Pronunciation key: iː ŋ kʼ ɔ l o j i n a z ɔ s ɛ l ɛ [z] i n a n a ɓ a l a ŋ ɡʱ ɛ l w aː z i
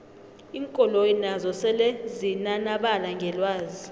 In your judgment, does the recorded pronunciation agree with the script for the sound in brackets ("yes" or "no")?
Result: yes